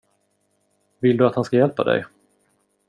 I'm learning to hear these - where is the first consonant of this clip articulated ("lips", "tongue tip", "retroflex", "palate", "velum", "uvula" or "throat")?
lips